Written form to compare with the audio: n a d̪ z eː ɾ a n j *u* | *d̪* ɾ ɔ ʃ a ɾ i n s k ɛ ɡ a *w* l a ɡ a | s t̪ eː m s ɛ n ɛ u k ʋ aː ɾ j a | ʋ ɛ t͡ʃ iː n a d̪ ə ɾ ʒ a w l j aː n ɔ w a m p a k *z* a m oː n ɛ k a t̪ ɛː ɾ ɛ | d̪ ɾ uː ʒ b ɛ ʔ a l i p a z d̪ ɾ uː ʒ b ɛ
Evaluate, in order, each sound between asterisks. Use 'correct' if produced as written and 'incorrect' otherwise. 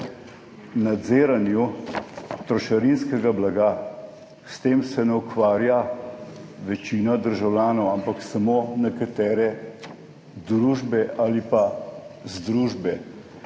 correct, incorrect, incorrect, incorrect

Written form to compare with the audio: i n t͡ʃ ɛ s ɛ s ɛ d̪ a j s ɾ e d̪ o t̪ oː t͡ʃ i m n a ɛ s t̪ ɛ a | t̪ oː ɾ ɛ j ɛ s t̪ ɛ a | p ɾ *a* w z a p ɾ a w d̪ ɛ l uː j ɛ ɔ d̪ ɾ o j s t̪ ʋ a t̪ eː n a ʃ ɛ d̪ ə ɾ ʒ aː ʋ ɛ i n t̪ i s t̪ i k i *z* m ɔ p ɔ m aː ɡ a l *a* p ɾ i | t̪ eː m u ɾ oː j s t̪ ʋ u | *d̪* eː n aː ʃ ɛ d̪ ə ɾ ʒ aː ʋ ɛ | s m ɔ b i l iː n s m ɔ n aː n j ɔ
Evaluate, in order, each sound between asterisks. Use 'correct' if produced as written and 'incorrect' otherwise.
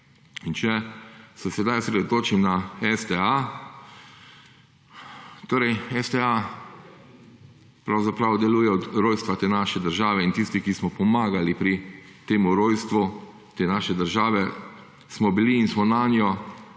correct, incorrect, incorrect, incorrect

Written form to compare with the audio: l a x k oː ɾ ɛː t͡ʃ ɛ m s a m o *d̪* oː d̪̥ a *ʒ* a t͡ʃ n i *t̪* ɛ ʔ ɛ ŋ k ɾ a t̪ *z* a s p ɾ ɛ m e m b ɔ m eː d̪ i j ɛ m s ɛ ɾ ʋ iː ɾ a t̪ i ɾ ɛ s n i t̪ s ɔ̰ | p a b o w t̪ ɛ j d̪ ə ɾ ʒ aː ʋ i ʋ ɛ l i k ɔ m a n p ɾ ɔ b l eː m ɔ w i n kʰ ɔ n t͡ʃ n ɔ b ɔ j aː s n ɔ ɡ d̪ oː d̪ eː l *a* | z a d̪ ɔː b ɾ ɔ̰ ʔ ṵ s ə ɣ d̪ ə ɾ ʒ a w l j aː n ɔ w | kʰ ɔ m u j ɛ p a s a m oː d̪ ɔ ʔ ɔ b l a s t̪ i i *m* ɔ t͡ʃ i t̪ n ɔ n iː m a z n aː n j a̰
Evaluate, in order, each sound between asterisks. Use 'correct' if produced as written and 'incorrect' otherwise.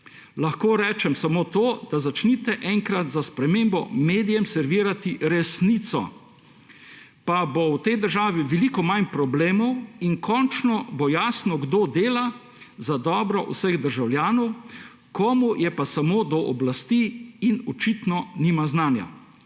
incorrect, incorrect, correct, correct, correct, incorrect

